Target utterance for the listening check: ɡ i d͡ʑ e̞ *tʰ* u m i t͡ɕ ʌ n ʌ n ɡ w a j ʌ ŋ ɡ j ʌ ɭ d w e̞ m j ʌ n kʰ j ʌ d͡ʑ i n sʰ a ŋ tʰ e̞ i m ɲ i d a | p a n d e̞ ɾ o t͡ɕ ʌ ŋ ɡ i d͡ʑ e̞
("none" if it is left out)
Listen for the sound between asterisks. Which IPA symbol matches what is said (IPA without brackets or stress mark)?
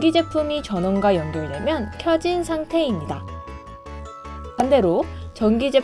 pʰ